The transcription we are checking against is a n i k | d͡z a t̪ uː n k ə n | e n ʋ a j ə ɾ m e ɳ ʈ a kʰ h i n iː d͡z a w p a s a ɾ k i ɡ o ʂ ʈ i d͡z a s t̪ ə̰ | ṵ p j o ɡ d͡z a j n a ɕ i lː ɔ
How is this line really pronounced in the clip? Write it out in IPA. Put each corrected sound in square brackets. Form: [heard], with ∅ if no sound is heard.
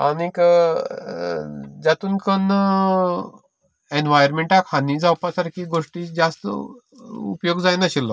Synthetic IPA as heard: a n i k | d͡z a t̪ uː n k ə n | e n ʋ a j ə ɾ m e ɳ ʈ a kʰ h [a] n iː d͡z a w p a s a ɾ k i ɡ o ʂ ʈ i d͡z a s t̪ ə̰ | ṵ p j o ɡ d͡z a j n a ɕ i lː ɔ

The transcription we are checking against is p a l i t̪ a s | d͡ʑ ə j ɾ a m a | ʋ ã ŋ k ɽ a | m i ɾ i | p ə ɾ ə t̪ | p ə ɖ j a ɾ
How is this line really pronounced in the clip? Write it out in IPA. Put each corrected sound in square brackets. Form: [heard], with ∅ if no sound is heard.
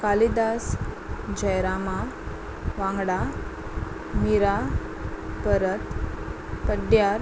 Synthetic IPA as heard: [k] a l i [d̪] a s | d͡ʑ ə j ɾ a m a | ʋ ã ŋ [ɡ] ɽ a | m i ɾ [a] | p ə ɾ ə t̪ | p ə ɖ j a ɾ

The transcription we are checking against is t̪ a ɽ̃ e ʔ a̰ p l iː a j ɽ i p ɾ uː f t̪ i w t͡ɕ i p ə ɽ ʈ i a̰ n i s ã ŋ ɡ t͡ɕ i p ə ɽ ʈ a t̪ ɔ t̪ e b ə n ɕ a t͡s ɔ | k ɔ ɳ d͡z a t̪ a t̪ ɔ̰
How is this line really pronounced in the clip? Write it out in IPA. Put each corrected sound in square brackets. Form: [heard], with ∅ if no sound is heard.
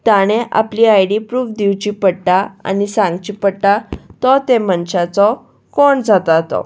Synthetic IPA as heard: t̪ a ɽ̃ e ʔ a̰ p l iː a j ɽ i p ɾ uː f [d̪] i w t͡ɕ i p ə ɽ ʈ [a] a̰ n i s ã ŋ ɡ t͡ɕ i p ə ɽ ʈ a t̪ ɔ t̪ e [m] ə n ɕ a t͡s ɔ | k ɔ ɳ d͡z a t̪ a t̪ ɔ̰

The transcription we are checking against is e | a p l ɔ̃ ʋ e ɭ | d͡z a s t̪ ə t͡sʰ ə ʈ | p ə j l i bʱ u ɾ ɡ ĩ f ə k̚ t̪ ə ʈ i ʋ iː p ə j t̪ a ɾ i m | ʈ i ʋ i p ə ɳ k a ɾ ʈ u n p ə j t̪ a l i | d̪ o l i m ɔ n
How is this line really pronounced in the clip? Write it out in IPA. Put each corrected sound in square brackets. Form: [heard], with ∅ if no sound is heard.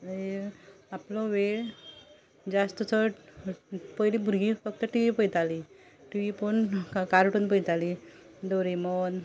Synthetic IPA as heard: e | a p l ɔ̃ ʋ e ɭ | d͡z a s t̪ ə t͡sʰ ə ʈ | p ə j l i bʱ u ɾ ɡ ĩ f ə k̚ t̪ ə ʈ i ʋ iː p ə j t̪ a [l] i [∅] | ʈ i ʋ i p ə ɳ k a ɾ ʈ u n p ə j t̪ a l i | d̪ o [ɾ] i m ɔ n

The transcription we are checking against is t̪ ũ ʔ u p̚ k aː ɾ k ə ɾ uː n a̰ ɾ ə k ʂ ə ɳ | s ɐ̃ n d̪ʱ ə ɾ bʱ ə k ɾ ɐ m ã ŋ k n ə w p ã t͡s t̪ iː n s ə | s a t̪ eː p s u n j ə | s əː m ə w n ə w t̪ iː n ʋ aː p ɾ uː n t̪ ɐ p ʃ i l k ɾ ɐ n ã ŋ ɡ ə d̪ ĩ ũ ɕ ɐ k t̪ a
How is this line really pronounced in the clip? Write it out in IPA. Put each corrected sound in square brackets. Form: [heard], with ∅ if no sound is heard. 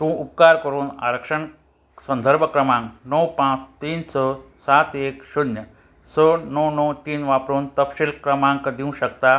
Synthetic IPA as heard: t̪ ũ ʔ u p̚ k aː ɾ k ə ɾ uː n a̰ ɾ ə k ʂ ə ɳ | s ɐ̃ n d̪ʱ ə ɾ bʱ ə k ɾ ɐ m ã ŋ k n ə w p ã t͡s t̪ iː n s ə | s a t̪ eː [k] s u n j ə | s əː [n] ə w n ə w t̪ iː n ʋ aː p ɾ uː n t̪ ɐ p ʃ i l k ɾ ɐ [m] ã ŋ [k] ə d̪ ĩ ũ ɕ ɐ k t̪ a

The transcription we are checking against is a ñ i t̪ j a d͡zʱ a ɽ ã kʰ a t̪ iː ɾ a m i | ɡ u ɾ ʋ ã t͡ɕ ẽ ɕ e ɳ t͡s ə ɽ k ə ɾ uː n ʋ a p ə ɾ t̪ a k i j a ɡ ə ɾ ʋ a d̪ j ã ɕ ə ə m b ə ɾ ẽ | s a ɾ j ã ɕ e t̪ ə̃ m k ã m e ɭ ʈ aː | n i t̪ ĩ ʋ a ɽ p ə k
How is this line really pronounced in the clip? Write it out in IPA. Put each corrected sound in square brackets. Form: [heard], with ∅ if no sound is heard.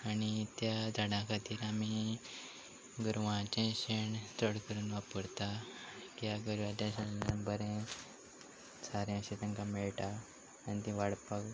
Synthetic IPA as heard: a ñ i t̪ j a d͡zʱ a ɽ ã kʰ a t̪ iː ɾ a m i | ɡ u ɾ ʋ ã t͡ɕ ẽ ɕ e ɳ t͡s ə ɽ k ə ɾ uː n ʋ a p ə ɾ t̪ a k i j a ɡ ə ɾ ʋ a d̪ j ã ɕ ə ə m b ə ɾ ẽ | s a ɾ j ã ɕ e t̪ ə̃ [ŋ] k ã m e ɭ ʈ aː | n i t̪ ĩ ʋ a ɽ p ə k

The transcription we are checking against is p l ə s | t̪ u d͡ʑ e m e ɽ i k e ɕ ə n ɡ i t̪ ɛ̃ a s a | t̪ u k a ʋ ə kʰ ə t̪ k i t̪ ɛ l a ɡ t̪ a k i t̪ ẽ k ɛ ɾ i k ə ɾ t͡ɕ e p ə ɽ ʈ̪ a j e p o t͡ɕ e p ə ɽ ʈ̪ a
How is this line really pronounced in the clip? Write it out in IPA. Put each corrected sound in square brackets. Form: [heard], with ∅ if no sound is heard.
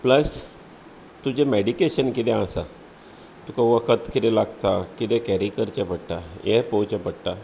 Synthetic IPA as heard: p l ə s | t̪ u d͡ʑ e m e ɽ i k e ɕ ə n [k] i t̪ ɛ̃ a s a | t̪ u k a ʋ ə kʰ ə t̪ k i t̪ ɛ l a ɡ t̪ a k i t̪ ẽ k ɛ ɾ i k ə ɾ t͡ɕ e p ə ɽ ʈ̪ a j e p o t͡ɕ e p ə ɽ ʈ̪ a

